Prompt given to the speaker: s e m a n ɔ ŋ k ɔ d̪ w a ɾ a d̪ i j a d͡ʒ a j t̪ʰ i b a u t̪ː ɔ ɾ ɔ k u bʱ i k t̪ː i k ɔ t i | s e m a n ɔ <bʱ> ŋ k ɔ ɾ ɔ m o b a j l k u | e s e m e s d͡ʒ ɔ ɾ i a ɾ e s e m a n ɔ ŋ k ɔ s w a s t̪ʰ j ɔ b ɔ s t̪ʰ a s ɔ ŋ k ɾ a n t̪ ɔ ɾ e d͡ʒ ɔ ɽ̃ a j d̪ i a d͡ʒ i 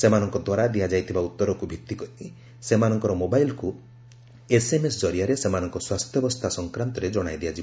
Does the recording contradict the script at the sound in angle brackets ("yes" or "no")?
yes